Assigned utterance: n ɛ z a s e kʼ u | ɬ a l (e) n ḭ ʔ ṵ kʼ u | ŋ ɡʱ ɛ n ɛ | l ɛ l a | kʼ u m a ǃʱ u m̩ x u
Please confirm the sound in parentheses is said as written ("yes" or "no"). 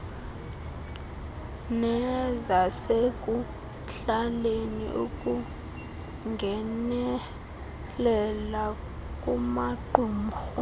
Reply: yes